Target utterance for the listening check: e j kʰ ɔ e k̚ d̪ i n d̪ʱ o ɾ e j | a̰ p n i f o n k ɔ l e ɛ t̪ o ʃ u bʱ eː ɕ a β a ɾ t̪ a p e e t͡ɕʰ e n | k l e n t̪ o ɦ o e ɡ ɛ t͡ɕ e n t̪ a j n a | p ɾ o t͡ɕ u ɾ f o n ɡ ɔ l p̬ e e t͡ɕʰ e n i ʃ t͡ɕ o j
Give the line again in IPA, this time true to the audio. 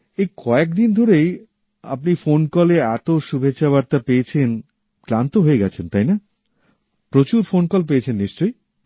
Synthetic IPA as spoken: e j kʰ ɔ e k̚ d̪ i n d̪ʱ o ɾ e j | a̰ p n i f o n k ɔ l e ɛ t̪ o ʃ u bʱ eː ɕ a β a ɾ t̪ a p e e t͡ɕʰ e n | k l a n t̪ o ɦ o e ɡ ɛ t͡ɕʰ e n t̪ a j n a | p ɾ o t͡ɕ u ɾ f o n k ɔ l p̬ e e t͡ɕʰ e nː i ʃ t͡ɕ o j